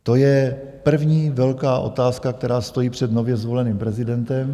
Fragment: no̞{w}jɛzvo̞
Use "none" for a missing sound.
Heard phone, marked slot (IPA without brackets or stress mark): v